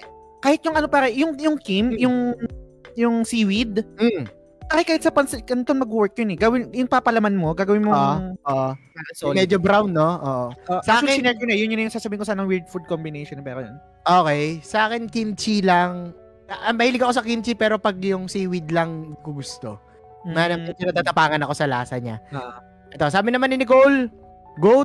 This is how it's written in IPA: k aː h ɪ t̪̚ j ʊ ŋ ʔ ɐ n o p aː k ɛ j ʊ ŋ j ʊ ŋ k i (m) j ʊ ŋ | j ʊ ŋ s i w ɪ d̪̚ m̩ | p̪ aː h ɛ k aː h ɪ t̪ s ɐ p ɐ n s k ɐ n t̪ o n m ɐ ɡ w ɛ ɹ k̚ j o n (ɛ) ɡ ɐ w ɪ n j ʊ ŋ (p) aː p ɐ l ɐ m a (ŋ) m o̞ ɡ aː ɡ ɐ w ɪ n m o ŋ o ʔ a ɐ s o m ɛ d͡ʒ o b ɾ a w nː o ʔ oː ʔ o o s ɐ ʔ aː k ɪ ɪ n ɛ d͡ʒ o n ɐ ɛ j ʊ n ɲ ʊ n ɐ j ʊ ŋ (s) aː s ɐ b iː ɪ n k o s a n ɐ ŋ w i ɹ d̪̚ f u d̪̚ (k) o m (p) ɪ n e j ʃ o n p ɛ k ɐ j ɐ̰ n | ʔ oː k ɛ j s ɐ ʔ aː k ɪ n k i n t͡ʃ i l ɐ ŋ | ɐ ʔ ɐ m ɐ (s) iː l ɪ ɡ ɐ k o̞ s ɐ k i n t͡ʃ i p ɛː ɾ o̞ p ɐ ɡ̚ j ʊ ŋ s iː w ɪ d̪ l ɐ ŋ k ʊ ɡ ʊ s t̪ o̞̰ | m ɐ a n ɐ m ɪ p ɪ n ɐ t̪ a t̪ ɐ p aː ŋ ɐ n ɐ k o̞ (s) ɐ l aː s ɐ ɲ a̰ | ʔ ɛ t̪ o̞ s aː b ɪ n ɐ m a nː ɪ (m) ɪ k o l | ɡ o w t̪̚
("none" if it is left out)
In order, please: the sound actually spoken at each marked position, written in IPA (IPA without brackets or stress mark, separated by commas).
m, ɛ, p, n, s, k, b, h, s, n